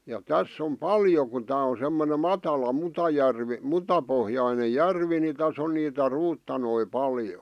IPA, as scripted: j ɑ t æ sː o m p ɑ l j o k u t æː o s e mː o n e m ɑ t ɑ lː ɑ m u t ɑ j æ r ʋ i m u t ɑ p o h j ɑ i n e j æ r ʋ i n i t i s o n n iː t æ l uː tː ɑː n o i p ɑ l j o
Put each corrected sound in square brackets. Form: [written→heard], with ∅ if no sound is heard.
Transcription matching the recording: j ɑ t æ sː o m p ɑ l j o k u t æː o s e mː o n e m ɑ t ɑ [lː→l] ɑ m u t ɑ j æ r ʋ i m u t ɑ p o h j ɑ i n e j æ r ʋ i n i t [i→æ] s o n n iː t æ [l→r] uː tː [ɑː→ɑ] n o i p ɑ l j o